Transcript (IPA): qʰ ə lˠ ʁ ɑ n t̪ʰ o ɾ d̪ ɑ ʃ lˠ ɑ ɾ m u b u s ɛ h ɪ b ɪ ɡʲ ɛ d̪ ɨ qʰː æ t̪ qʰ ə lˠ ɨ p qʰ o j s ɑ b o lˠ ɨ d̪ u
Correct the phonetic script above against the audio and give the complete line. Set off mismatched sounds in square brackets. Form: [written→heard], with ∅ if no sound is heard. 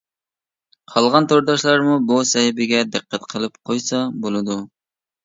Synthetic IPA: qʰ [ə→ɑ] lˠ ʁ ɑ n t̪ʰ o ɾ d̪ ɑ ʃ lˠ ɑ ɾ m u b u s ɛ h ɪ b ɪ ɡʲ ɛ d̪ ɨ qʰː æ t̪ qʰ ə lˠ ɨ p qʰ o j s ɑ b o lˠ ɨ d̪ u